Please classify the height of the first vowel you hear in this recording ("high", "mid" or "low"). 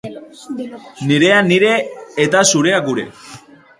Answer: high